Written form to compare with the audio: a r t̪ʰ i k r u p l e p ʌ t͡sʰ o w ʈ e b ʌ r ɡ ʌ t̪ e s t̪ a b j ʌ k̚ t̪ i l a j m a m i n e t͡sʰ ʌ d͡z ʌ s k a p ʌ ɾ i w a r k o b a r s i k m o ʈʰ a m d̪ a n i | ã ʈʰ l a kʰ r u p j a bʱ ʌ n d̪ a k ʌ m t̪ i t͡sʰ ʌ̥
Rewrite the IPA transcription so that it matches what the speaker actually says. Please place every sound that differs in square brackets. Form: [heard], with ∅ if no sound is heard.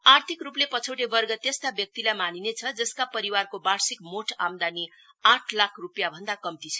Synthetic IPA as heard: a r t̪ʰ i k r u p l e p ʌ t͡sʰ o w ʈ e b ʌ r ɡ ʌ t̪ e s t̪ a b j ʌ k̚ t̪ i l a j m a [n] i n e t͡sʰ ʌ d͡z ʌ s k a p ʌ ɾ i w a r k o b a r s i k m o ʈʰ a m d̪ a n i | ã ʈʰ l a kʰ r u p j a bʱ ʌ n d̪ a k ʌ m t̪ i t͡sʰ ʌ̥